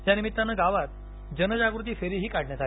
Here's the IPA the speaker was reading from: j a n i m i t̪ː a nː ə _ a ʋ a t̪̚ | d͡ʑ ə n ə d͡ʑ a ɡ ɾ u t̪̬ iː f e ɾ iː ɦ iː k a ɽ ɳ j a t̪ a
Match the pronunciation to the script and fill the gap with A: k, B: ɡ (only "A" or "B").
B